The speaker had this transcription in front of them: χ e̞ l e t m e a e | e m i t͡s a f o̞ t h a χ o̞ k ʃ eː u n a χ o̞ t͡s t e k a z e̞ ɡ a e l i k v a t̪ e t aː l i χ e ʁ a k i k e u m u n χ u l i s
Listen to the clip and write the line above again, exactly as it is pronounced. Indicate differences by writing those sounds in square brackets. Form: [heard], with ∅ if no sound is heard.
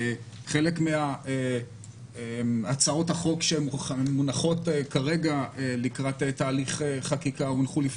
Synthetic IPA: χ e̞ l e [k] m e a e | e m [a] t͡s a [∅] o̞ t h a χ o̞ k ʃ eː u n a χ o̞ [∅] t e k a [ʁ] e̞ ɡ a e l i k [ʁ] a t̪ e t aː l i χ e [χ] a k i k [a] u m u n χ u l i [f]